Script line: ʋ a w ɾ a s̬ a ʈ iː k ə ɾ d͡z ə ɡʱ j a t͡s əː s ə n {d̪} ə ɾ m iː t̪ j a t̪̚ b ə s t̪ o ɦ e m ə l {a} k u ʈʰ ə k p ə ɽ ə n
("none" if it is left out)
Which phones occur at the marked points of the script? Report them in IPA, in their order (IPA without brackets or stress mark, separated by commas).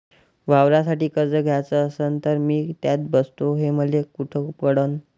t̪, e